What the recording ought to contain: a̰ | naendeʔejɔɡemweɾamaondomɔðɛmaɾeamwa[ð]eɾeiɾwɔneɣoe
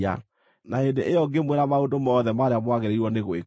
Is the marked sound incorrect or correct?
incorrect: ɣ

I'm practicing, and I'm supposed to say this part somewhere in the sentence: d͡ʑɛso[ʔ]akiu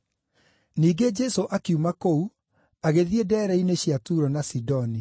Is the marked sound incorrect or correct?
correct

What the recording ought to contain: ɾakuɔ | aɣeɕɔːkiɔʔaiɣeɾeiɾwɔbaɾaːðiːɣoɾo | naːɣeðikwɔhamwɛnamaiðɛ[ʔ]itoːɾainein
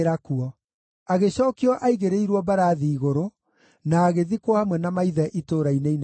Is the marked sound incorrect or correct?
correct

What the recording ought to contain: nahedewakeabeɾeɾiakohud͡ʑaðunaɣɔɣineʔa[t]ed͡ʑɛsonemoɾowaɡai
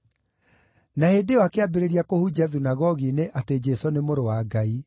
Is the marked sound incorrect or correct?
correct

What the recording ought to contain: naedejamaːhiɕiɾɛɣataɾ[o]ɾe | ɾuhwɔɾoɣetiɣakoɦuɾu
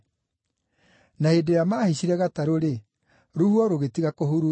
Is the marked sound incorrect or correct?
correct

